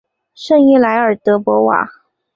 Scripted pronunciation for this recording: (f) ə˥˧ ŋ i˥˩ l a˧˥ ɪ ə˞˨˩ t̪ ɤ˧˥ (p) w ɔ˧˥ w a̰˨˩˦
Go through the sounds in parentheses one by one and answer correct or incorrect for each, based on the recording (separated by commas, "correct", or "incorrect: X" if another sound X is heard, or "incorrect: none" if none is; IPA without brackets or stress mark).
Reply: incorrect: ʂ, correct